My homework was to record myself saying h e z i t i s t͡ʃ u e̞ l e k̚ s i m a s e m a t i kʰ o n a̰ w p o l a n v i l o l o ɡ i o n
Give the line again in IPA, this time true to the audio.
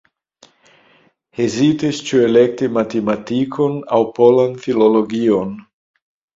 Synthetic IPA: h e z i t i s t͡ʃ u e̞ l e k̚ t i m a t e m a t i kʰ o n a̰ w p o l a n f i l o l o ɡ i o n